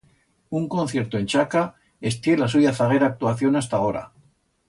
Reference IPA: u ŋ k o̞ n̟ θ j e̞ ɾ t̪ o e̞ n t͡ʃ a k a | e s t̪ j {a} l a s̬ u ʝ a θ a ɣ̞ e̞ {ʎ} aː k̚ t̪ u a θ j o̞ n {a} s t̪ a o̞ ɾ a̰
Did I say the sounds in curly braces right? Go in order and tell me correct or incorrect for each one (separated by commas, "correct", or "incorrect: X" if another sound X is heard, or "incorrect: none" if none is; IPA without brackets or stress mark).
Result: incorrect: e, incorrect: ɾ, correct